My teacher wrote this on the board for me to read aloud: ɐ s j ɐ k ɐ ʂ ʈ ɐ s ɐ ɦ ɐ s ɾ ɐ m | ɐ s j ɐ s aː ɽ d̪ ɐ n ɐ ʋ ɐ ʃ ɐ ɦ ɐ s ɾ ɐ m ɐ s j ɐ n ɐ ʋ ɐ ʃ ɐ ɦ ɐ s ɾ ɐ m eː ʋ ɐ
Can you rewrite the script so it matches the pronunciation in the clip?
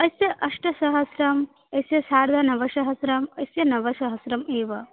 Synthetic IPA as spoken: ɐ s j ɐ ʔ ɐ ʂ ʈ ɐ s ɐ ɦ ɐ s ɾ ɐ m | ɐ s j ɐ s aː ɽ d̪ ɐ n ɐ ʋ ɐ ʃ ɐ ɦ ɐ s ɾ ɐ m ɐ s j ɐ n ɐ ʋ ɐ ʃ ɐ ɦ ɐ s ɾ ɐ m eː ʋ ɐ